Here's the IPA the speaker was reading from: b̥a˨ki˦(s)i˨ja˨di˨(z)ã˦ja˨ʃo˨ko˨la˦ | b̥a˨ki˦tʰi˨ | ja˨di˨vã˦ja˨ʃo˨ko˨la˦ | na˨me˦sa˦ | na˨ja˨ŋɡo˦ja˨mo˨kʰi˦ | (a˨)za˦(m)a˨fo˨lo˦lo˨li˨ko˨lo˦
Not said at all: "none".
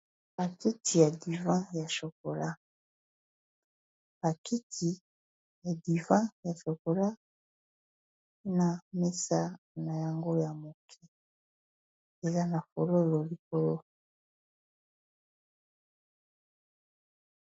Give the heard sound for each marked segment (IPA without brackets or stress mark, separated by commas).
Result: t, v, e˨, n